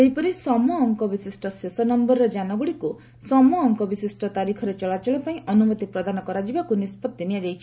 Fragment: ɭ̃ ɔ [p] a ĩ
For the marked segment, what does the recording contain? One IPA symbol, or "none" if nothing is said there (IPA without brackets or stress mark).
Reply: p